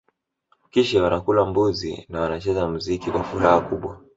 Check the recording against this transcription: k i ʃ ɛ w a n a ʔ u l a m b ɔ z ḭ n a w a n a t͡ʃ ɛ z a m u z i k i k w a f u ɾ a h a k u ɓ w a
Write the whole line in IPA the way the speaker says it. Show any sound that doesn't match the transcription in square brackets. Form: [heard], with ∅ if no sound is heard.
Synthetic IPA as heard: k i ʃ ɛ w a n a [k] u l a m b [u] z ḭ n a w a n a t͡ʃ ɛ z a m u z i k i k w a f u ɾ a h a k u ɓ w a